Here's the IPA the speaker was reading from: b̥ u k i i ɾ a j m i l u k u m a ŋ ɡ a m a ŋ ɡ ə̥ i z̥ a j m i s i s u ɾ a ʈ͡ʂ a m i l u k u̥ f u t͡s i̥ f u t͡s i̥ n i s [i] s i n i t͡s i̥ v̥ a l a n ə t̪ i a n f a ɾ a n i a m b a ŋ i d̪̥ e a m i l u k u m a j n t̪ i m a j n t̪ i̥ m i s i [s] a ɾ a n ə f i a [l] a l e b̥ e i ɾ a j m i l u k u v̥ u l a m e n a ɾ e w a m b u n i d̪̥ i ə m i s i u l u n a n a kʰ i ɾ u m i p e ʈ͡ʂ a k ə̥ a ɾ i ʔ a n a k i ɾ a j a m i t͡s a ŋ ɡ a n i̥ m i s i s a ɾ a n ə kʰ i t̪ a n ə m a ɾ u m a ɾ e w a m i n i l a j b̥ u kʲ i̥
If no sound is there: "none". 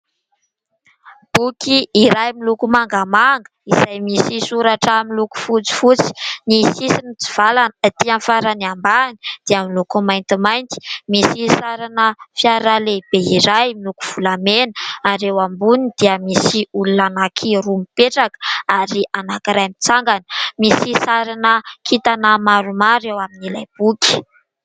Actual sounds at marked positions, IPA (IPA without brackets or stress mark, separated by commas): i, s, ɾ